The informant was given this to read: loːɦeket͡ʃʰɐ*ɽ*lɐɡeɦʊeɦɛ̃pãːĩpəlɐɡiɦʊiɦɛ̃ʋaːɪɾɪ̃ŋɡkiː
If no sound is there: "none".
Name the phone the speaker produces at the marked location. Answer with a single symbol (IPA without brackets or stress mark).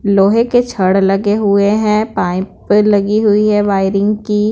ɽ